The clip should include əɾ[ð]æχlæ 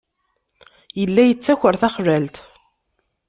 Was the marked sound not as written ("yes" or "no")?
yes